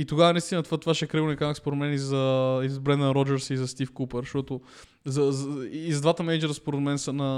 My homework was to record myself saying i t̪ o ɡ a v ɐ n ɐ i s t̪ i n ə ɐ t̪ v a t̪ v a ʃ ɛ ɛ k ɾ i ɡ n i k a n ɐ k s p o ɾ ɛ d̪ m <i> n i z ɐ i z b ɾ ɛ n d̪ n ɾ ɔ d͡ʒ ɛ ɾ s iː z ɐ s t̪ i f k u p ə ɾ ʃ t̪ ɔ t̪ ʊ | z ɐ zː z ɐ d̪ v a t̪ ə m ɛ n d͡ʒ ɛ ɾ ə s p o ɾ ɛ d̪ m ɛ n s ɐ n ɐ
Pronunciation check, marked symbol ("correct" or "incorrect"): incorrect